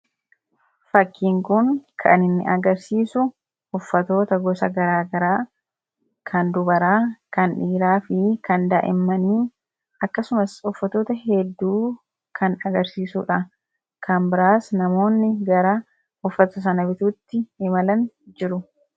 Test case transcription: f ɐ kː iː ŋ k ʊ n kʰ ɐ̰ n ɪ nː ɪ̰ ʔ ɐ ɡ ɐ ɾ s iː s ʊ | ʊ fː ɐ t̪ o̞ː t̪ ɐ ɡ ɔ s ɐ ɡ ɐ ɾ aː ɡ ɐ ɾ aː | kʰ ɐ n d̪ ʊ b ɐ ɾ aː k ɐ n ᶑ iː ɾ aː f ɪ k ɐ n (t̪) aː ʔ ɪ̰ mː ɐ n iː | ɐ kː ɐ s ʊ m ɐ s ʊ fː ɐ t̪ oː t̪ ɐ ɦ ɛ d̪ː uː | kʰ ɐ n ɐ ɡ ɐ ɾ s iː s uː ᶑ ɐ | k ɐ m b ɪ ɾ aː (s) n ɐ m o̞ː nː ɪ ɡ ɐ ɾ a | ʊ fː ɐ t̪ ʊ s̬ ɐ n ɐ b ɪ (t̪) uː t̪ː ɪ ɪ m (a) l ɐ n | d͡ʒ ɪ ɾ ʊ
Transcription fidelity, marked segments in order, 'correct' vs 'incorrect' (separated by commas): incorrect, correct, correct, incorrect